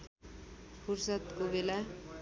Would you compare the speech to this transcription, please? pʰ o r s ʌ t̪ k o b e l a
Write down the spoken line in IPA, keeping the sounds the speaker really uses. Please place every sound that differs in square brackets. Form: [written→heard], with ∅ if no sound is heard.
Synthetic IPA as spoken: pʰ [o→u] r s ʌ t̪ k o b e l a